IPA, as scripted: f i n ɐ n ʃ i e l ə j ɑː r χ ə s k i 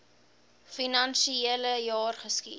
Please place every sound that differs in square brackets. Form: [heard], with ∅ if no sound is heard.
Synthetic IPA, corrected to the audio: f i n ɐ n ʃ i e l ə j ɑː r χ ə s k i